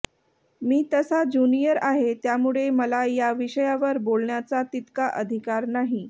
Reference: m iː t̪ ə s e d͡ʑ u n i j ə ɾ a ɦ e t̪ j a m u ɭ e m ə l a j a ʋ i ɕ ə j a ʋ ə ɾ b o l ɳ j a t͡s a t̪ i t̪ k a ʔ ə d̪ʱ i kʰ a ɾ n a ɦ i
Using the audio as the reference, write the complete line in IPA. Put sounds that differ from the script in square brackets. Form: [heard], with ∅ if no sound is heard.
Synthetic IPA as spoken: m iː t̪ ə s [a] d͡ʑ u n i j ə ɾ a ɦ e t̪ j a m u ɭ e m ə l a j a ʋ i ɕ ə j a ʋ ə ɾ b o l ɳ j a t͡s a t̪ i t̪ k a ʔ ə d̪ʱ i [k] a ɾ n a ɦ i